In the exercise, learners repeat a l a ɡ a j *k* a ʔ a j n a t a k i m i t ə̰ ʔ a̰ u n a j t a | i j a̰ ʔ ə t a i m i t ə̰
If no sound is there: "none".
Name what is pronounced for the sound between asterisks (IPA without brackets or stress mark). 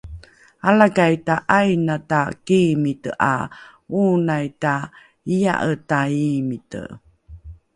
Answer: t